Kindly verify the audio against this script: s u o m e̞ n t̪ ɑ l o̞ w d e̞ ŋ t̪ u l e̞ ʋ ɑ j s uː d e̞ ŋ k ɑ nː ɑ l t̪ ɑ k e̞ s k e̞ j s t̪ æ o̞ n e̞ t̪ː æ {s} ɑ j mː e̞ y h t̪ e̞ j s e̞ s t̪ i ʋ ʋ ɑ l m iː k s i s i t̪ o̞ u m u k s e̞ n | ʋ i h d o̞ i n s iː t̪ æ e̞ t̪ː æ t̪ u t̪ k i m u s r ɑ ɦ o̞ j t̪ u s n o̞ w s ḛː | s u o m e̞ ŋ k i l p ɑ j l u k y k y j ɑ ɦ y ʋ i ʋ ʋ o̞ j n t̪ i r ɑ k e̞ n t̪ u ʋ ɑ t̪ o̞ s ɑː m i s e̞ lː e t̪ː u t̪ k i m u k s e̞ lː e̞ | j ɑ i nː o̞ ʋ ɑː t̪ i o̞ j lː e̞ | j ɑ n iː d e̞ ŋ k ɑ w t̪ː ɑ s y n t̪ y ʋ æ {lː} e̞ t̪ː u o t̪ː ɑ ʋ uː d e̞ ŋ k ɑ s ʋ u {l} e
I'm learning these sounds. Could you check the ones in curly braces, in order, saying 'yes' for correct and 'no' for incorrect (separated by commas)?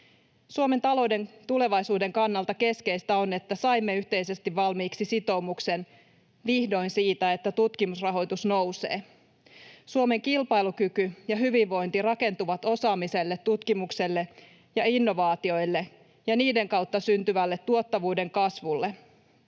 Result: yes, yes, no